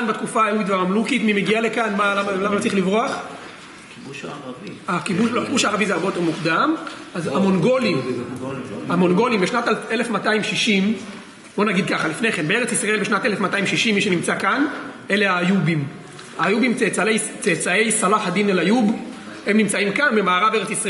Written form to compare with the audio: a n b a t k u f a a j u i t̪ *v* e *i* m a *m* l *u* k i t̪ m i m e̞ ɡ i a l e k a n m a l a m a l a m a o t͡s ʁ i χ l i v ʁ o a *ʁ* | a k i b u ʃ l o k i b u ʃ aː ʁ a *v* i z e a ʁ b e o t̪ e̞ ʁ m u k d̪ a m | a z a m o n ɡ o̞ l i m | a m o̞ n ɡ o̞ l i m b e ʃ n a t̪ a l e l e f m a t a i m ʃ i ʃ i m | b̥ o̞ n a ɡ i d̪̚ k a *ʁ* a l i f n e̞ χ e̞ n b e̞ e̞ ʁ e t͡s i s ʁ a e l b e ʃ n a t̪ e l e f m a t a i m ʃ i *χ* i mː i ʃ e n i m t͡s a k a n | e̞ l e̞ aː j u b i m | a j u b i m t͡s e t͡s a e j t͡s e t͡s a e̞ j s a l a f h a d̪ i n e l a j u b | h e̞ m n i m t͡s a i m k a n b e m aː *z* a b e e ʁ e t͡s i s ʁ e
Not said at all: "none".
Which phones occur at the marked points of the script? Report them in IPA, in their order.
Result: v, a, m, u, χ, v, χ, ʃ, ʁ

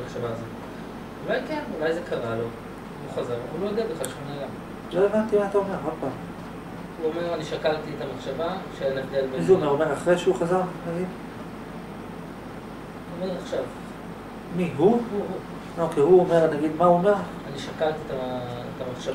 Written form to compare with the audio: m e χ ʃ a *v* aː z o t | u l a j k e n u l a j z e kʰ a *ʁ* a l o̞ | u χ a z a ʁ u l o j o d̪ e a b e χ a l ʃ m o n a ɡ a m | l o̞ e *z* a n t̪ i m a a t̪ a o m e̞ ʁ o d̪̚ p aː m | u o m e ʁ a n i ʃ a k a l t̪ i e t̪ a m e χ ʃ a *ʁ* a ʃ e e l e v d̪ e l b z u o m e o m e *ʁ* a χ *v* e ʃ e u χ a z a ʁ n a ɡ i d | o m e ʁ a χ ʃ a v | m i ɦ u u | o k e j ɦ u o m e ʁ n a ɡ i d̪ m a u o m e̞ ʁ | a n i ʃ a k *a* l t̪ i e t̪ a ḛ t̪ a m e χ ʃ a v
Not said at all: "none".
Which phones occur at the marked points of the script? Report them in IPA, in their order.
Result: v, ʁ, v, v, ʁ, ʁ, a

